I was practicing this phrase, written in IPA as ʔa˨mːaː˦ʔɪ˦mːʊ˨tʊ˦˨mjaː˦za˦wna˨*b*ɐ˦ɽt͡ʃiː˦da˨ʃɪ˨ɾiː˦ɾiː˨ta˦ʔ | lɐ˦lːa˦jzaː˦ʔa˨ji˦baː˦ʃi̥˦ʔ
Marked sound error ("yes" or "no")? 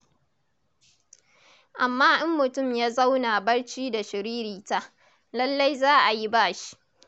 no